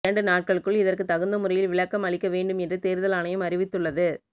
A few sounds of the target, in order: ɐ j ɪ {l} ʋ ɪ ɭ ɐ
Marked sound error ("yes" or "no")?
no